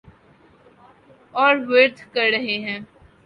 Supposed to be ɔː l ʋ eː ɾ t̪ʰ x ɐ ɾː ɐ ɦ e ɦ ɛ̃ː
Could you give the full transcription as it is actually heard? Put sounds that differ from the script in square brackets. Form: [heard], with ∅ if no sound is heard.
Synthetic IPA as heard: ɔː [ɾ] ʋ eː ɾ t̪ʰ [k] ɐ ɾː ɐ ɦ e ɦ ɛ̃ː